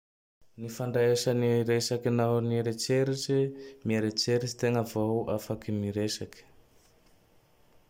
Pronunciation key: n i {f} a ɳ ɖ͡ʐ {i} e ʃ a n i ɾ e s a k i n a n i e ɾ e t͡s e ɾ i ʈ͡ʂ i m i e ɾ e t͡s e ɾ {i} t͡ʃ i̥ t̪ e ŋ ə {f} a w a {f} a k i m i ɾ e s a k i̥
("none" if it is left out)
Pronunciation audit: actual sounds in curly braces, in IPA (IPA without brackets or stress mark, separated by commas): f, a, i, v, f